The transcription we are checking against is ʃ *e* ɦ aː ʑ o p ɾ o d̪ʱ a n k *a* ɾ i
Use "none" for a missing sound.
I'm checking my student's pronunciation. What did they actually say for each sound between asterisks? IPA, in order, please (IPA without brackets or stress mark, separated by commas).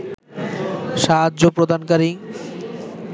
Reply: a, a